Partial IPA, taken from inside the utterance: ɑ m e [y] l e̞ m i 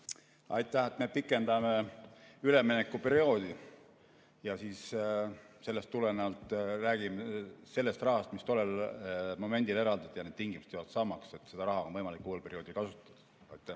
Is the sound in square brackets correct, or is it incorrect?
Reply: correct